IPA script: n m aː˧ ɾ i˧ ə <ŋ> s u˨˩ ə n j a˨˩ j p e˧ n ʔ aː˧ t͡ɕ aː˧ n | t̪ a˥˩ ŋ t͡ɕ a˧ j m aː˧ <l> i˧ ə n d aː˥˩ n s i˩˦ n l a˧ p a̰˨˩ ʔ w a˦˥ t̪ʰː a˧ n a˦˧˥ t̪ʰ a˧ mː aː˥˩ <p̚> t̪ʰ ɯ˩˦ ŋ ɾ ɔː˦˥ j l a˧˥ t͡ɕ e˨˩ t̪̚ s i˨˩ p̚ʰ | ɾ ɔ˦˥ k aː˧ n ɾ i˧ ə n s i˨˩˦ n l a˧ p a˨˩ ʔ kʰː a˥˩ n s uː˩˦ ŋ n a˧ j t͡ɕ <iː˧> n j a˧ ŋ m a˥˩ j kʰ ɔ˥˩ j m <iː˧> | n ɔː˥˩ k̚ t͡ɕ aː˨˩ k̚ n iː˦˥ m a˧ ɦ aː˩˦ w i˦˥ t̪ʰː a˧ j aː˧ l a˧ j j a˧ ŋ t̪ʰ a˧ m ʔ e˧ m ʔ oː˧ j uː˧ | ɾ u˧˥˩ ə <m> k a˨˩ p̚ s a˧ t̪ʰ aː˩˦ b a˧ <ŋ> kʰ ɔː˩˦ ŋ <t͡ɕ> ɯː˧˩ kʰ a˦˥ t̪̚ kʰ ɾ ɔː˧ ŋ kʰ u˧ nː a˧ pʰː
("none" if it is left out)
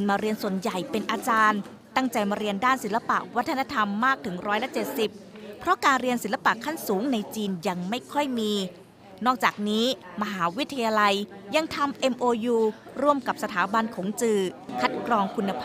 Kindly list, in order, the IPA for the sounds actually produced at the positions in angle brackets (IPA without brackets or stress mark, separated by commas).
n, ɾ, k̚, iː˧, iː˧, m, n, t͡ɕ